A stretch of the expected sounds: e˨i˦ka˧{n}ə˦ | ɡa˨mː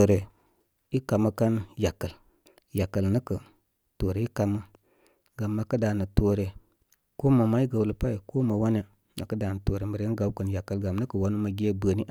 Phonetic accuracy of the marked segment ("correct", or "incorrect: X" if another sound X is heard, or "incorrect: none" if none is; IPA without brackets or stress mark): incorrect: m